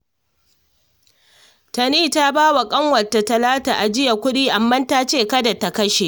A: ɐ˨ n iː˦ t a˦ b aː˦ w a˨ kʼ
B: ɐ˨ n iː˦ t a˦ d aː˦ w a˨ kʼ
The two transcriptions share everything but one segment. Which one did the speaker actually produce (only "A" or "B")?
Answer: A